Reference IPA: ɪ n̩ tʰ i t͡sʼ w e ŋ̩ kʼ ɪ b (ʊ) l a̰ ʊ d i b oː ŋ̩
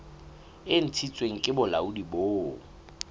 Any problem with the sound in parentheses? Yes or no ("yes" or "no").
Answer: no